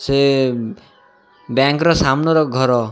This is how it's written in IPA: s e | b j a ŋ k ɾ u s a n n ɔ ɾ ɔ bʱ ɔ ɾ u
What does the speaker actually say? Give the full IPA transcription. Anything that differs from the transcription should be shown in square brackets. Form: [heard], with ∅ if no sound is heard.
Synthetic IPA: s e | b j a ŋ k ɾ [ɔ] s a [m] n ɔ ɾ ɔ [ɡʱ] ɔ ɾ [ɔ]